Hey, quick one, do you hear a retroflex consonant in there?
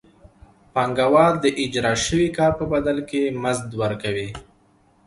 no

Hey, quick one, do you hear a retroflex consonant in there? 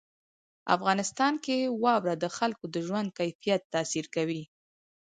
no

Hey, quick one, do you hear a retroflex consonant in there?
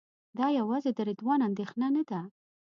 no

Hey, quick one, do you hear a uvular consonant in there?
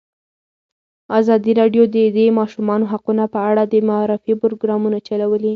yes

